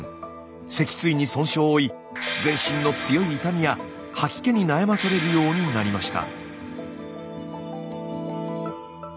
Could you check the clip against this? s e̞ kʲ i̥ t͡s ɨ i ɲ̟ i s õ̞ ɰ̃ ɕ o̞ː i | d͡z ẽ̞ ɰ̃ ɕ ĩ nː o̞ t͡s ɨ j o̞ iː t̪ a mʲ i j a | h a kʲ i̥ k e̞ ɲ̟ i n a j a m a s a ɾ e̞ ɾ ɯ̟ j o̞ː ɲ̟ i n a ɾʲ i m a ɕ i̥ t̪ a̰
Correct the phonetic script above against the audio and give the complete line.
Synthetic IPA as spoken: s e̞ kʲ i̥ t͡s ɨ i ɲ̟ i s õ̞ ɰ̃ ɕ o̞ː i | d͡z ẽ̞ ɰ̃ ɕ ĩ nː o̞ t͡s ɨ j o̞ iː t̪ a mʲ i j a | h a kʲ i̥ k e̞ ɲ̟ i n a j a m a s a ɾ e̞ ɾ ɯ̟ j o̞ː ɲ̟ i n a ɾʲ i m a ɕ i̥ t̪ a̰